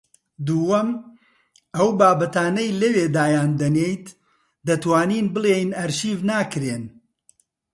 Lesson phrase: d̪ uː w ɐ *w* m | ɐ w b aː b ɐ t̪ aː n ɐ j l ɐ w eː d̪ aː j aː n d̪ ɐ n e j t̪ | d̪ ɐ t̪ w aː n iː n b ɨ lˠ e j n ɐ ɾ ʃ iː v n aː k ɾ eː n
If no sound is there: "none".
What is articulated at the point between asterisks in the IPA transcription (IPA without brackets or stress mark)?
none